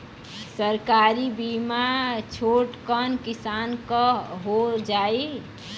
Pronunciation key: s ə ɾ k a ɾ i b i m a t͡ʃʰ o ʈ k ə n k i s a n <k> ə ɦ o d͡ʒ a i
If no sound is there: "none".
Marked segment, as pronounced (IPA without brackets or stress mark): k